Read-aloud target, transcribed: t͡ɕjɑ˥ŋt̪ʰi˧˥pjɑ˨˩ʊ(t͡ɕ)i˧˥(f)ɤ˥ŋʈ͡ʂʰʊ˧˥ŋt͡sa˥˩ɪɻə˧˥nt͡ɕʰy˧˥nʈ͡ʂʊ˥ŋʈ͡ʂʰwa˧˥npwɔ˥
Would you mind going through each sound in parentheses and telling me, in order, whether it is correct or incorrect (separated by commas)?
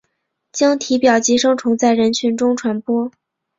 correct, incorrect